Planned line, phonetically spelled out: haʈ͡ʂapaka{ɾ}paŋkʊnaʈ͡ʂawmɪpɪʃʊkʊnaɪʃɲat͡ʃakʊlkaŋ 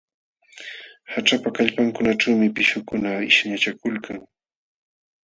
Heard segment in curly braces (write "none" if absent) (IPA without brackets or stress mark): ʎ